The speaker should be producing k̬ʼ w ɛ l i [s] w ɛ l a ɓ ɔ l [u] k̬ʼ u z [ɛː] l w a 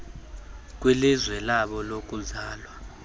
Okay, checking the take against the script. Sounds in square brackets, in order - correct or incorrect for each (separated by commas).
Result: incorrect, incorrect, incorrect